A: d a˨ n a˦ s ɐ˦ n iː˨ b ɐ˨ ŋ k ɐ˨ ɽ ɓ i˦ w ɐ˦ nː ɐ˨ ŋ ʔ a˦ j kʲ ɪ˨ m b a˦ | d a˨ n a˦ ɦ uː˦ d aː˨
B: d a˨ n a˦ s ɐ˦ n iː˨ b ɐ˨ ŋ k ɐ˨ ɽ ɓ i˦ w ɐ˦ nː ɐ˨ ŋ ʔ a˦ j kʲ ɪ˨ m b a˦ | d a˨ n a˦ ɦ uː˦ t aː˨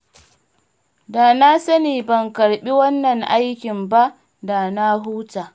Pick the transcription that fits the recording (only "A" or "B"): B